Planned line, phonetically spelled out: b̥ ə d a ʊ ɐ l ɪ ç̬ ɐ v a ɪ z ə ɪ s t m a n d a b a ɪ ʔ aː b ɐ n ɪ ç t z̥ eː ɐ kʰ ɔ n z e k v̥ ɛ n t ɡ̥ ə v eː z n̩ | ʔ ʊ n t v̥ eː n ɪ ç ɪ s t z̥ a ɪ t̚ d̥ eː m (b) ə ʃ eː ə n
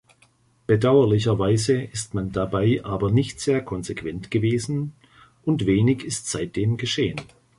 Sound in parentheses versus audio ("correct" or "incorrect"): incorrect